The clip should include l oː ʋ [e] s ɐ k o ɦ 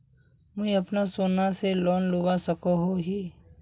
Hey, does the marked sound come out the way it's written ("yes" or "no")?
no